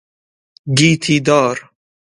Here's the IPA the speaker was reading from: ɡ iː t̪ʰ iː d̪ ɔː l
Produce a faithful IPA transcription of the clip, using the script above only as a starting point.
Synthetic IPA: ɡ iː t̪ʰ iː d̪ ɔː ɾ